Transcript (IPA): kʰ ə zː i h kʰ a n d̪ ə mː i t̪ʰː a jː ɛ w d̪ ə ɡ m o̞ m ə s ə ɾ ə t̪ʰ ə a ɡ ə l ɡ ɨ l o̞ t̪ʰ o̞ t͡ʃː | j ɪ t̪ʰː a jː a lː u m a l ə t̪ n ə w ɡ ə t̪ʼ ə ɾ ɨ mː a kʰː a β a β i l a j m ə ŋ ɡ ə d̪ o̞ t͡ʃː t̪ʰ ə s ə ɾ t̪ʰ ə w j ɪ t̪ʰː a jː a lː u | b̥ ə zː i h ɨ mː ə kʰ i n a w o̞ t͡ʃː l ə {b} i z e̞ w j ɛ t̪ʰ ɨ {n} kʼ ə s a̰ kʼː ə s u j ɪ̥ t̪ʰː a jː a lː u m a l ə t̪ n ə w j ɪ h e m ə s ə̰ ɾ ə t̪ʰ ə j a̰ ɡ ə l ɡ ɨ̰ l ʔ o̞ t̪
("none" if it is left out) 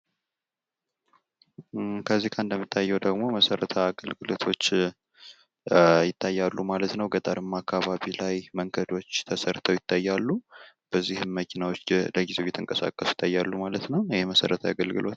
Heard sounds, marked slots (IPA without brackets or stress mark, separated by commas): ɡ, ŋ